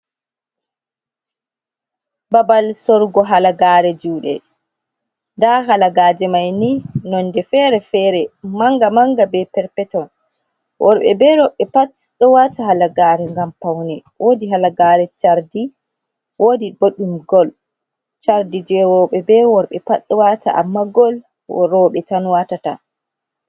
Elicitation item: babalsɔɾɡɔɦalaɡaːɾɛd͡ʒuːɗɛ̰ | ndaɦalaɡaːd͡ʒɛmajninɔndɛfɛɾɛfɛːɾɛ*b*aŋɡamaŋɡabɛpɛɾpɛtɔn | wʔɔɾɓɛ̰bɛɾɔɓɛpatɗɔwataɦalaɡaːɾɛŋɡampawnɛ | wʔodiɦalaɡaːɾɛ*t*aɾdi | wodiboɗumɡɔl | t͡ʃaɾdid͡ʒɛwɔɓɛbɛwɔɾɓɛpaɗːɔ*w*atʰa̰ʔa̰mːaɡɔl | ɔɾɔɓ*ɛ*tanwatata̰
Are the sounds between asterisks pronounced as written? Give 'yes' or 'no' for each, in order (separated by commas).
no, no, yes, yes